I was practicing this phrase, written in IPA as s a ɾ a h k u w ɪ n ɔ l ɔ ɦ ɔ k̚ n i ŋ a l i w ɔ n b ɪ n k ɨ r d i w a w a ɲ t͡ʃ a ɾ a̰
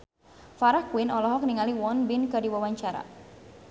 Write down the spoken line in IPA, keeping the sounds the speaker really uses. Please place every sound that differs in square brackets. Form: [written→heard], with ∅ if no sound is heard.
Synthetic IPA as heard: [s→f] a ɾ a h k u w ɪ n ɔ l ɔ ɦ ɔ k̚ n i ŋ a l i w ɔ n b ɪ n k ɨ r d i w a w a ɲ t͡ʃ a ɾ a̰